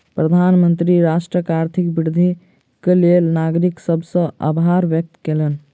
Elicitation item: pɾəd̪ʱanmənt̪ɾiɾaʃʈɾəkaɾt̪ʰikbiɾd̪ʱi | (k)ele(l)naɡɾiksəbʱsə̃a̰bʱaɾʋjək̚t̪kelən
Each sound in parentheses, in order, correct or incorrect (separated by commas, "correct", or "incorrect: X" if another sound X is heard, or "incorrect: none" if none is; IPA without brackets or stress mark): correct, correct